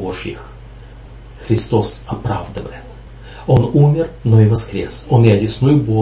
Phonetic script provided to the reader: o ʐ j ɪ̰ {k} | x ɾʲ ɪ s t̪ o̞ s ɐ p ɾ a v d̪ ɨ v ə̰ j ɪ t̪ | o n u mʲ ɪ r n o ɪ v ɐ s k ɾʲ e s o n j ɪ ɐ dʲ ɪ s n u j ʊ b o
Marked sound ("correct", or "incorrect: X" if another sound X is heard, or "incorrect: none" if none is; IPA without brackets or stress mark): incorrect: x